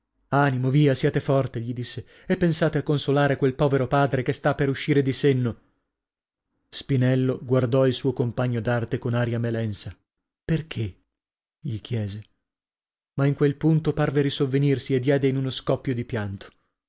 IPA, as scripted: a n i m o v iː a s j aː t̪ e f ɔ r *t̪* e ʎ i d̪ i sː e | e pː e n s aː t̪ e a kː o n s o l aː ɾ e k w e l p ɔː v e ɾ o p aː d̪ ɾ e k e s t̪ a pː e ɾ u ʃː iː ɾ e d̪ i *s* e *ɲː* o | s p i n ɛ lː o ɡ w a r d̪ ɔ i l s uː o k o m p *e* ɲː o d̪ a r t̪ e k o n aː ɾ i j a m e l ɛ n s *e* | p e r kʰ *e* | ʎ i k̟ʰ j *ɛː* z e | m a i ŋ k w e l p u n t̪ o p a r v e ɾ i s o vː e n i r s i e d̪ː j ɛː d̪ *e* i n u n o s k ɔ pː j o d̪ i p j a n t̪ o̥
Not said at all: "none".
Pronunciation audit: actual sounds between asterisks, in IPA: t̪, s, nː, a, a, e, ɛː, e

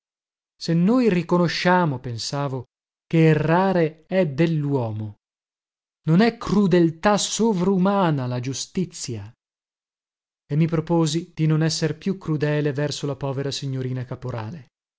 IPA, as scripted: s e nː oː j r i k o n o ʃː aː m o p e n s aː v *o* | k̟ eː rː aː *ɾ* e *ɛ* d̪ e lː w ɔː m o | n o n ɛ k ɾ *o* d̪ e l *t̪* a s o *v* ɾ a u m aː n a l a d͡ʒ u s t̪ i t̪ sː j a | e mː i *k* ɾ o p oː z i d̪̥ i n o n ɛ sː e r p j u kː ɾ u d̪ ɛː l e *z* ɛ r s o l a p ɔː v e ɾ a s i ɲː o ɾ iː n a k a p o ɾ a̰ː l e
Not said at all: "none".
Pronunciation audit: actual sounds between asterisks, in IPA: o, ɾ, ɛ, u, t̪, v, p, v

